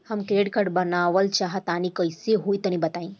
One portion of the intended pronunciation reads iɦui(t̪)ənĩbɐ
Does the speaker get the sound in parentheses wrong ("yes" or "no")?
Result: no